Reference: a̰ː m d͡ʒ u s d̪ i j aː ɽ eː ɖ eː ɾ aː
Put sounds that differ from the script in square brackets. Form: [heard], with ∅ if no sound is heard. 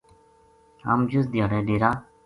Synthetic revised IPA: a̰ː m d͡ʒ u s d̪ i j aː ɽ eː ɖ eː ɾ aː